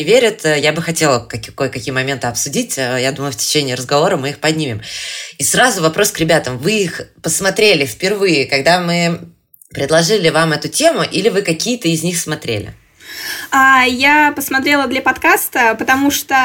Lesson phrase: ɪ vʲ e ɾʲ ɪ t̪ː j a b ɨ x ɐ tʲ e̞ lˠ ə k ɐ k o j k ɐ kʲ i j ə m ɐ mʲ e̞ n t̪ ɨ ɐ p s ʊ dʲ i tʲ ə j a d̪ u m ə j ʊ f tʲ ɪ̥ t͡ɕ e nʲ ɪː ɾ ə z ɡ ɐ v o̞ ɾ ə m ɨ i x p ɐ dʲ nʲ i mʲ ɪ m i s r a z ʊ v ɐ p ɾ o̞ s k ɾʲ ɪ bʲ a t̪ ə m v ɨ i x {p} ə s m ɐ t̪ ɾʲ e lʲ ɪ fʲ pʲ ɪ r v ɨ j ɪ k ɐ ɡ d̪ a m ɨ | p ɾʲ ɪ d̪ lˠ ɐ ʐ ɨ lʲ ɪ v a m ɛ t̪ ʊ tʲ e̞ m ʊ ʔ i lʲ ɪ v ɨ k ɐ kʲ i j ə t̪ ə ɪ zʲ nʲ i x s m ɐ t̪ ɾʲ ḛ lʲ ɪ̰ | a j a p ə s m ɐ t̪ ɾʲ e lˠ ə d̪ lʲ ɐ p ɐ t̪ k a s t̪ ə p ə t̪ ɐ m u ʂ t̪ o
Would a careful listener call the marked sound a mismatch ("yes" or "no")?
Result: no